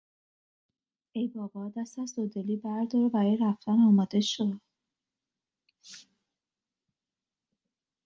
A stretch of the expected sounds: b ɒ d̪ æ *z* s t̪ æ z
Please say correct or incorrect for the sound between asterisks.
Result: incorrect